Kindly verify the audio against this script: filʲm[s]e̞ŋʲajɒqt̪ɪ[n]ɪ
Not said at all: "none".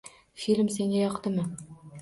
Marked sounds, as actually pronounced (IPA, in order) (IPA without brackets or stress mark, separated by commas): s, m